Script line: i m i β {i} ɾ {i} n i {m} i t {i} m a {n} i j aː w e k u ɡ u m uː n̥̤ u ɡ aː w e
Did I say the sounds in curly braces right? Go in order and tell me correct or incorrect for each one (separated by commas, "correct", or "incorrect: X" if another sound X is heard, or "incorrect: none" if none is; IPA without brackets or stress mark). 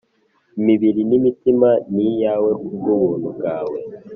correct, correct, correct, correct, correct